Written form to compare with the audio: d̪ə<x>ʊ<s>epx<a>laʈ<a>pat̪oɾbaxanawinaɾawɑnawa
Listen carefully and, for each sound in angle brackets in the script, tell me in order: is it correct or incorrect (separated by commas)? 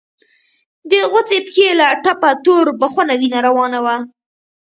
incorrect, incorrect, incorrect, correct